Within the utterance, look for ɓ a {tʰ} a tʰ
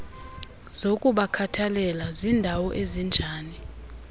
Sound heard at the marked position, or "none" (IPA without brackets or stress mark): kʰ